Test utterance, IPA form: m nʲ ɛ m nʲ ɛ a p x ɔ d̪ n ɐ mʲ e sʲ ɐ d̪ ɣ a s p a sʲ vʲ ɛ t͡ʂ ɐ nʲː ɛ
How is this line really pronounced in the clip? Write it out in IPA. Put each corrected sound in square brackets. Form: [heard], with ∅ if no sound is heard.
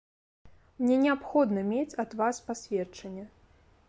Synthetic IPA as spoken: m nʲ ɛ [∅] nʲ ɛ a p x ɔ d̪ n ɐ mʲ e [t͡sʲ] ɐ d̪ [v] a s p a sʲ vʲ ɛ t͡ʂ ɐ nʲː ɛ